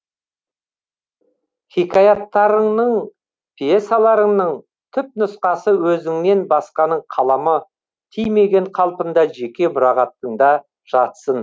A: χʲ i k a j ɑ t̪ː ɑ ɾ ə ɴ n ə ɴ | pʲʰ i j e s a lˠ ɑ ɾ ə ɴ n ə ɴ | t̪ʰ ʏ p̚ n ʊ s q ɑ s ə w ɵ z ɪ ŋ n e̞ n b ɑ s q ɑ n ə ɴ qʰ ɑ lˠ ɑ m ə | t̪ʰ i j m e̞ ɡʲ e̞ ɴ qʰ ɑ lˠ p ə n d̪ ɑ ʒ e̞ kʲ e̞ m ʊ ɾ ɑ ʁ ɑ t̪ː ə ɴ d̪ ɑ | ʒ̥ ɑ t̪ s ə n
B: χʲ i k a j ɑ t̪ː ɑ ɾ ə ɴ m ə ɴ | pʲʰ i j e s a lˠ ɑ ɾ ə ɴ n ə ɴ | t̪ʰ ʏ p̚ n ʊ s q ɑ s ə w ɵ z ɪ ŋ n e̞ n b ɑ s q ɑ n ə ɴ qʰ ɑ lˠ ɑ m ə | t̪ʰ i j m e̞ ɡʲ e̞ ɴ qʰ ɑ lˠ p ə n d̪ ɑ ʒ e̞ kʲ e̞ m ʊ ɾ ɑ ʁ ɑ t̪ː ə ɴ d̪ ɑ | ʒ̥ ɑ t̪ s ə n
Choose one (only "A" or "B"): A